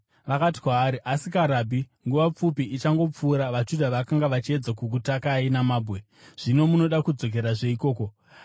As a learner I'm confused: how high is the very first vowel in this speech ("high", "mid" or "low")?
low